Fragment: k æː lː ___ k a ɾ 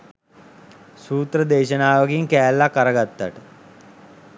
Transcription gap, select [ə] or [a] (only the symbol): a